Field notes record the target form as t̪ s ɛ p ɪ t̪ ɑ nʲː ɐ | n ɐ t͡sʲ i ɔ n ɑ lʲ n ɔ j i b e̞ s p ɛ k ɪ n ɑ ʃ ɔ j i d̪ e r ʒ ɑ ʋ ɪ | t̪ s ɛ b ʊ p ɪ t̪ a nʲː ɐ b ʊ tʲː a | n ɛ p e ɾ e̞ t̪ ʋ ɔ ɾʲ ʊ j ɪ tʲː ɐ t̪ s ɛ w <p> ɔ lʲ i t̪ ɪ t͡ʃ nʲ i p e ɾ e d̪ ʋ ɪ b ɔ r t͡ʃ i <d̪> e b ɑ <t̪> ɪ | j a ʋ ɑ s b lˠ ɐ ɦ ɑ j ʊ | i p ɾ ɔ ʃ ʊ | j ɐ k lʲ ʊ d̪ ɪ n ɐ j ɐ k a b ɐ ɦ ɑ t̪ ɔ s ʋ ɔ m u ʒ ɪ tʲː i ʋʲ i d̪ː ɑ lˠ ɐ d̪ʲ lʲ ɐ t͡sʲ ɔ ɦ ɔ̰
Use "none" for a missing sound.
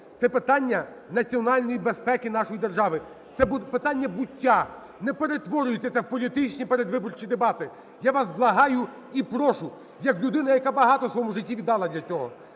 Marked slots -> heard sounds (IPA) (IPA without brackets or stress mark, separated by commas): p, d̪, t̪